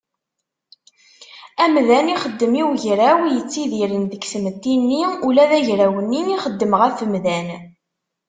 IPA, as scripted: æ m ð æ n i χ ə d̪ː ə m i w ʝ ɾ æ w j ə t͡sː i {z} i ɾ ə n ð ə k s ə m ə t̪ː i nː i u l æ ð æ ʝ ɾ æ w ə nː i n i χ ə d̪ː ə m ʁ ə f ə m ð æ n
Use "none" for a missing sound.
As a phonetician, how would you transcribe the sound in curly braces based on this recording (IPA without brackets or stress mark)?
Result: ð